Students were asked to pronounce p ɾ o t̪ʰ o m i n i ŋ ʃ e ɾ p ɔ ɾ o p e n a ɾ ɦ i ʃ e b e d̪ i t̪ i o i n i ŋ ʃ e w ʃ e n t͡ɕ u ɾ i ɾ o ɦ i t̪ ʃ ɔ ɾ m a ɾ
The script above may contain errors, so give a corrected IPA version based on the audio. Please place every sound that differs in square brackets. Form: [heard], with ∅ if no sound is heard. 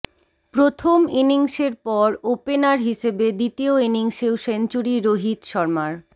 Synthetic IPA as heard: p ɾ o t̪ʰ o m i n i ŋ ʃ e ɾ p ɔ ɾ o p e n a ɾ ɦ i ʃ e b e d̪ i t̪ i o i n i ŋ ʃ e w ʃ e n t͡ɕ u ɾ i ɾ o ɦ i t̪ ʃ ɔ ɾ m a ɾ

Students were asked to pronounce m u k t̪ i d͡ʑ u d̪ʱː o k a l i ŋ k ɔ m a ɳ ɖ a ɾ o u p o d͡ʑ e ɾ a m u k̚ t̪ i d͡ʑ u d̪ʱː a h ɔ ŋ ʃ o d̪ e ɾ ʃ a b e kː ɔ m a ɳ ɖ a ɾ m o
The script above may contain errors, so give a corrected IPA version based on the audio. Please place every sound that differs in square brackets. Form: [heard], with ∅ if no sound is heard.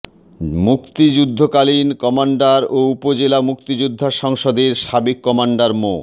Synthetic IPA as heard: m u k t̪ i d͡ʑ u d̪ʱː o k a l i [n] k ɔ m a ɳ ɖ a ɾ o u p o d͡ʑ e [l] a m u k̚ t̪ i d͡ʑ u d̪ʱː a [ʃ] ɔ ŋ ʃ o d̪ e ɾ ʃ a b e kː ɔ m a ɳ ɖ a ɾ m o

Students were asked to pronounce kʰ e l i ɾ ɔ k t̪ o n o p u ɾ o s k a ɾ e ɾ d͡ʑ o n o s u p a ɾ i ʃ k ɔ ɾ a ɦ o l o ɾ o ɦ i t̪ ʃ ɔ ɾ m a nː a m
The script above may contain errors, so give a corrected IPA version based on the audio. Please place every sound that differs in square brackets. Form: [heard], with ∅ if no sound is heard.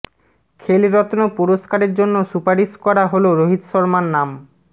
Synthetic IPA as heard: kʰ e l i ɾ ɔ [∅] t̪ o n o p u ɾ o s k a ɾ e ɾ d͡ʑ o [nː] o s u p a ɾ i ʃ k ɔ ɾ a ɦ o l o ɾ o ɦ i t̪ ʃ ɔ ɾ m a nː a m

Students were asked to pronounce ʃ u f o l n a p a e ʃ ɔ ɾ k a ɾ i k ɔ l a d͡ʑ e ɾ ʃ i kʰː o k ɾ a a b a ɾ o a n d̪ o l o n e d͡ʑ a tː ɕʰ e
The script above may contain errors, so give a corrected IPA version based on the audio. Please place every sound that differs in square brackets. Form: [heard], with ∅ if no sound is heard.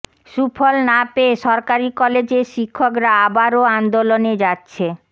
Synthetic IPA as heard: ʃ u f o l n a p [e] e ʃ ɔ ɾ k a ɾ i k ɔ l [e] d͡ʑ e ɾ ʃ i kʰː o k ɾ a a b a ɾ o a n d̪ o l o n e d͡ʑ a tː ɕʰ e

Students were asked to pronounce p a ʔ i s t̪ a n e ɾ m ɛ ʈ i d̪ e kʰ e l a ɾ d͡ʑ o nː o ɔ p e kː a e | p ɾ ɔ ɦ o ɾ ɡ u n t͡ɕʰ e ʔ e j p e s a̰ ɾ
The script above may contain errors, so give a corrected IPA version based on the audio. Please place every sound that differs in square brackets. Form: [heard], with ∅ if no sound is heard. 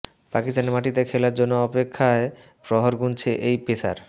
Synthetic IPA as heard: p a [k] i s t̪ a n e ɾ m [a] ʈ i [t̪] e kʰ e l a ɾ d͡ʑ o nː o ɔ p e [kʰː] a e | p ɾ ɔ ɦ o ɾ ɡ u n t͡ɕʰ e ʔ e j p e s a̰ ɾ

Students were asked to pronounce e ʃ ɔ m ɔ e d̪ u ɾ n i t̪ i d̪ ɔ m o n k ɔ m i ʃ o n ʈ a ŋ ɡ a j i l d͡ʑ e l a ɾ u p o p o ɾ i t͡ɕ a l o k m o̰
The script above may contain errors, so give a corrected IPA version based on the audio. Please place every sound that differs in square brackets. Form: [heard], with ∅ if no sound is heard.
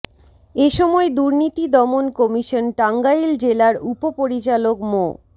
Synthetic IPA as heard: e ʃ ɔ m ɔ e d̪ u ɾ n i t̪ i d̪ ɔ m o n k ɔ m i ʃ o n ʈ a ŋ ɡ a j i l d͡ʑ e l a ɾ u p o p o ɾ i t͡ɕ a l o k m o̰

